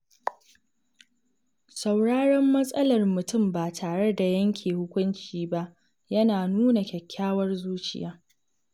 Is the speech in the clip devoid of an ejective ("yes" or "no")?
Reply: no